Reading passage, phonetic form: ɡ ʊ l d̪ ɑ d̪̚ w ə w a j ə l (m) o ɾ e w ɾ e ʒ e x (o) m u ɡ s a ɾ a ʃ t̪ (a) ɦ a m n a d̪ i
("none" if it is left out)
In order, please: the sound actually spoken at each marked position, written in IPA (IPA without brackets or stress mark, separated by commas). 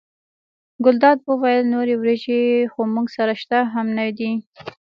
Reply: n, o, a